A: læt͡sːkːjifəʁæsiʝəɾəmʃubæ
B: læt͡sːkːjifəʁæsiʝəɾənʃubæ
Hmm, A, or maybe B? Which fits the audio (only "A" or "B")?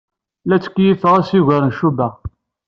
B